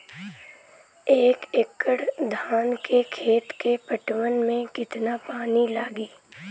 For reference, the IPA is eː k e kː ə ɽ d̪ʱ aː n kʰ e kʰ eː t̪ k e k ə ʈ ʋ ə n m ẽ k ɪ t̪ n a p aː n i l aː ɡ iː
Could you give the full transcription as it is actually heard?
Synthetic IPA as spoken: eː k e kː ə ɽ d̪ʱ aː n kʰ e kʰ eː t̪ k e p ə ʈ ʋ ə n m ẽ k ɪ t̪ n a p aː n i l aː ɡ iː